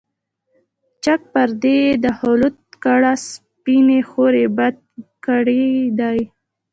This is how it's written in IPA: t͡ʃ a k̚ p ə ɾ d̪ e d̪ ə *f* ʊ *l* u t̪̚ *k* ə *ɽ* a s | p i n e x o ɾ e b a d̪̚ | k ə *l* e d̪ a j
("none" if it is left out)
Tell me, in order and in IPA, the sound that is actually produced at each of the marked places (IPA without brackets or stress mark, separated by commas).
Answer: h, l, k, ɽ, ɽ